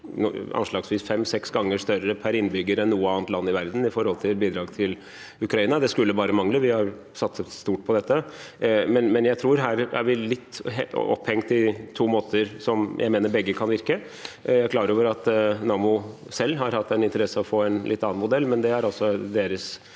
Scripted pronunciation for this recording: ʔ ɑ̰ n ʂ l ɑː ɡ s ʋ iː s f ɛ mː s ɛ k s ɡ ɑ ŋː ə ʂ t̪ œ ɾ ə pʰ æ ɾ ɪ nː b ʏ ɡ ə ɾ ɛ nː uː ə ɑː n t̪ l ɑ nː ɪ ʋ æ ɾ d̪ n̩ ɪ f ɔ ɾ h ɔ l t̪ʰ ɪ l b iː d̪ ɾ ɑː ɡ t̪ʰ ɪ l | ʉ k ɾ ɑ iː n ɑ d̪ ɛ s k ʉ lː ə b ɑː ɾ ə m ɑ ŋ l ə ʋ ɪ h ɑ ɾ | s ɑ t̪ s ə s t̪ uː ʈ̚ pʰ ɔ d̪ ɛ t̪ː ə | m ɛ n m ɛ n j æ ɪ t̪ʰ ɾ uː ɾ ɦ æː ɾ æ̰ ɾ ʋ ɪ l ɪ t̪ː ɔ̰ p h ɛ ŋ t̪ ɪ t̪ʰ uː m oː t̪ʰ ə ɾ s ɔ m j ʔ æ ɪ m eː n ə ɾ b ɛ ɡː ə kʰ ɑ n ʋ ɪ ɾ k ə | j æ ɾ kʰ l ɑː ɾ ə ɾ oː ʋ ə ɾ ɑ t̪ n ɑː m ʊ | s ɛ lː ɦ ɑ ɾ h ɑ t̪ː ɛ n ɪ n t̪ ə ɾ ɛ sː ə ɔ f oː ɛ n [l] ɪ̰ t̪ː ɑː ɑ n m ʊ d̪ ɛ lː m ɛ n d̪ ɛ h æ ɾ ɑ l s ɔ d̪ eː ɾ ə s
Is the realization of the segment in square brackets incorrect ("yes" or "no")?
no